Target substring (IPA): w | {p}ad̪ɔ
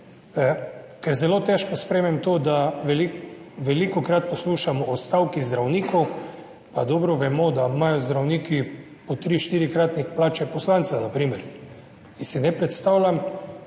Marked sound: correct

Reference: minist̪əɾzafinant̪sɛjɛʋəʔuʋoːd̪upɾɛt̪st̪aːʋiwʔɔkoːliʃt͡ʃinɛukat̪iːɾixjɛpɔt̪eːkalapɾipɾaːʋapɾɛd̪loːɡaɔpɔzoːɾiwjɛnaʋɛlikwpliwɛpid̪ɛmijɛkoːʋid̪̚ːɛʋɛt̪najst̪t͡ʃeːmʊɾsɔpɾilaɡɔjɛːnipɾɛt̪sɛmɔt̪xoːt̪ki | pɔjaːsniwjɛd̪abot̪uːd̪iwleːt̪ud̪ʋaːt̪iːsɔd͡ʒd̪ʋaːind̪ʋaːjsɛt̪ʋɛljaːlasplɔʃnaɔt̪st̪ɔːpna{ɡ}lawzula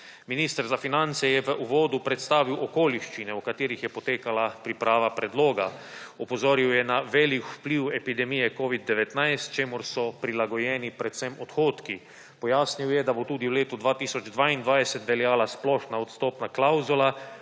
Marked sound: incorrect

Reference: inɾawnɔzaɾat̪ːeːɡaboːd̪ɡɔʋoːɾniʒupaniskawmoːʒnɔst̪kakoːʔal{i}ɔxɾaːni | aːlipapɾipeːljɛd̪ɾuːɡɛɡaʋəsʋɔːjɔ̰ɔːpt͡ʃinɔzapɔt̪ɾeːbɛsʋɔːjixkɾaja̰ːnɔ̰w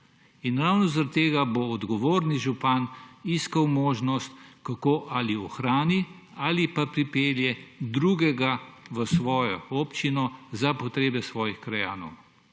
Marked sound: correct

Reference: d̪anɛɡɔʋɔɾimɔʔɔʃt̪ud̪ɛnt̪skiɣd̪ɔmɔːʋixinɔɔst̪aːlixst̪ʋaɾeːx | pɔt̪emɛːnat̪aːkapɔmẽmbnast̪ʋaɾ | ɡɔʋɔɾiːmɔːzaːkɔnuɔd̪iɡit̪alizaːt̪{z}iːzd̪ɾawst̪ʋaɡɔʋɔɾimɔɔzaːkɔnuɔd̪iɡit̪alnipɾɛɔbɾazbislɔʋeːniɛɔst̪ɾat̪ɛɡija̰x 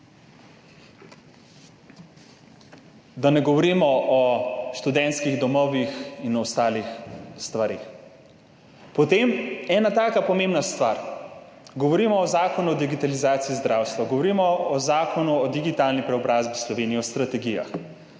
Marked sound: incorrect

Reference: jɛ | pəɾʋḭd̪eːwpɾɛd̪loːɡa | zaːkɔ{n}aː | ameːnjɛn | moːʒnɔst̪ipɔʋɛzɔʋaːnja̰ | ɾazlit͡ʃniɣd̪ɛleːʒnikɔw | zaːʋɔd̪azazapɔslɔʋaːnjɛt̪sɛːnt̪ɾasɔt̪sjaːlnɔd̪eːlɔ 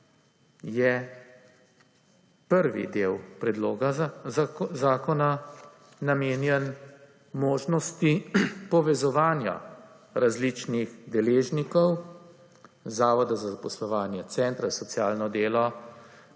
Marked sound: correct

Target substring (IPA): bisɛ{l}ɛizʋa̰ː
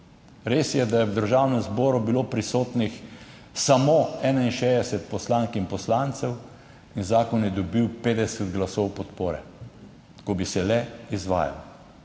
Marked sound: correct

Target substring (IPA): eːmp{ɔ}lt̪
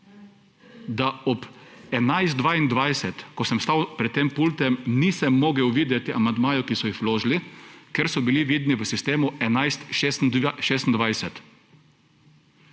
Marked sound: incorrect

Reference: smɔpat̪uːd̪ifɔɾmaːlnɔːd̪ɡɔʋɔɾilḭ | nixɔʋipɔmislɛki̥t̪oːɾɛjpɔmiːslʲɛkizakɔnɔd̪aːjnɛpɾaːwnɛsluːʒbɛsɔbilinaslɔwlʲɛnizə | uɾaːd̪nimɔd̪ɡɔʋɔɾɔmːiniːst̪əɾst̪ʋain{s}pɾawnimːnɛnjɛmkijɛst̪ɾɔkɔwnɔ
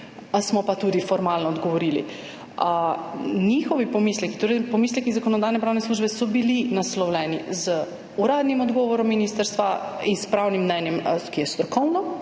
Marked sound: correct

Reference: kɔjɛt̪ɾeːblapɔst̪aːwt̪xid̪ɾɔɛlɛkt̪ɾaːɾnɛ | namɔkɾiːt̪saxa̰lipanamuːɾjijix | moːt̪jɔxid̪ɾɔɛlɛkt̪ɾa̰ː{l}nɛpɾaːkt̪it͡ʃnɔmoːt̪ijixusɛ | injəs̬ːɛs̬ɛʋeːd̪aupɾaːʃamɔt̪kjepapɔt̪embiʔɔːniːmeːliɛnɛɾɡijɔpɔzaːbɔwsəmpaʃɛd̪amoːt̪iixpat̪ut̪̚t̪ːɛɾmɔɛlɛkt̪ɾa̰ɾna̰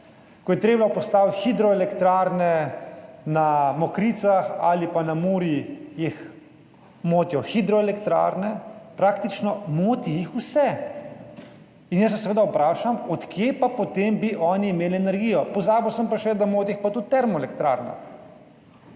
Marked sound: incorrect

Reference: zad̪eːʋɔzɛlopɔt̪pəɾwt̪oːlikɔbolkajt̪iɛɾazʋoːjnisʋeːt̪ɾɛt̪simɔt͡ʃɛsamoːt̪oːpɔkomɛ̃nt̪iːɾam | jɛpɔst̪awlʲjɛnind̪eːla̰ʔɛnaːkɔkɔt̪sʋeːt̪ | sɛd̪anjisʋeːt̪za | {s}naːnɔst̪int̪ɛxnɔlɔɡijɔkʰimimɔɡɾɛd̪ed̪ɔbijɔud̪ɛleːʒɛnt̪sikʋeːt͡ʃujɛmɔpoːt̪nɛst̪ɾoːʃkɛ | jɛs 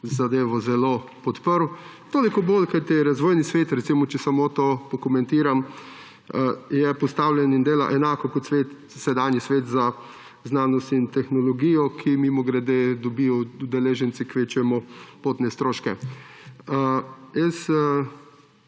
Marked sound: incorrect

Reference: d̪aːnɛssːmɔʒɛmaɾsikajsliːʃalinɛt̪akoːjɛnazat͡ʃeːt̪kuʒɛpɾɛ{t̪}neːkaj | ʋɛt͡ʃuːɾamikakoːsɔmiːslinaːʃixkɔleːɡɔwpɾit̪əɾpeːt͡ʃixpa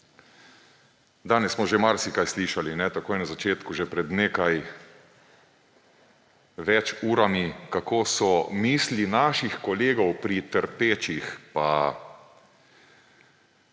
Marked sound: incorrect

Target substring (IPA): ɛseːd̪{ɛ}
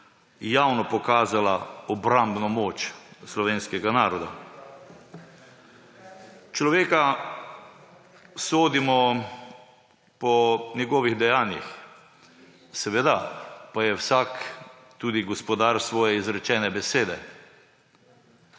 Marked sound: correct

